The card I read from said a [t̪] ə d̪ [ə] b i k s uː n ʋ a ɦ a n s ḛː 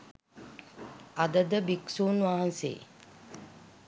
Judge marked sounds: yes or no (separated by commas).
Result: no, yes